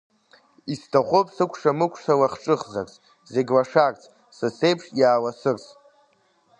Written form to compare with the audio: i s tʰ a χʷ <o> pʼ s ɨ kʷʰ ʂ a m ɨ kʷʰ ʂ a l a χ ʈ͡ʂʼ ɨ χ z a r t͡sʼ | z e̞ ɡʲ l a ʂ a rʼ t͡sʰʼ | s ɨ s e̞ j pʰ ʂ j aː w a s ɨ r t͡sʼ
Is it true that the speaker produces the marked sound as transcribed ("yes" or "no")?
yes